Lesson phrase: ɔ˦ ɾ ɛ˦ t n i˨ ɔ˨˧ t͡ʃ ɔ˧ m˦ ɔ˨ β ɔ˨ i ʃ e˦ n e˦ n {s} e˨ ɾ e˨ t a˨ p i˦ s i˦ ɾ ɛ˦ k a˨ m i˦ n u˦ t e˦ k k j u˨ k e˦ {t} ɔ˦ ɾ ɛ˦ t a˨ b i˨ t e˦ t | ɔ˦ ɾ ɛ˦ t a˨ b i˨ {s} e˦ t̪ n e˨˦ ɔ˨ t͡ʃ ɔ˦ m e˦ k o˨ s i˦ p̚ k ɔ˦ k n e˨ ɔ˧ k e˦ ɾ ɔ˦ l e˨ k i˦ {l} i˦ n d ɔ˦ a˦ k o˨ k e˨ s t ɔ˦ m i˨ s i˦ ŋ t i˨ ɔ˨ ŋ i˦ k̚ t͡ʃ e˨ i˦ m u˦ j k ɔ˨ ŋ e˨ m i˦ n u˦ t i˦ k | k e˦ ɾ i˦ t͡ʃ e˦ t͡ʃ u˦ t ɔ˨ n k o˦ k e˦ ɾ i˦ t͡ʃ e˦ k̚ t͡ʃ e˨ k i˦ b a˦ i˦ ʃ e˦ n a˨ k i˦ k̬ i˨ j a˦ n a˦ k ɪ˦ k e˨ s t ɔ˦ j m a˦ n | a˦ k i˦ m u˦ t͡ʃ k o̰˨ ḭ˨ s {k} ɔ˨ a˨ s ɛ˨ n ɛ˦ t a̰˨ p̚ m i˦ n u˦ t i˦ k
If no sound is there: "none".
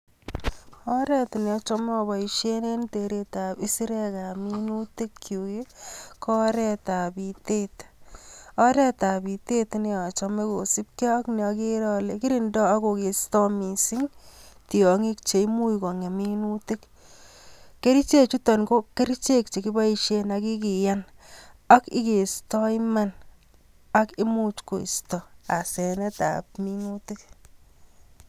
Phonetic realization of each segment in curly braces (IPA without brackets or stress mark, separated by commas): t, k, t, ɾ, t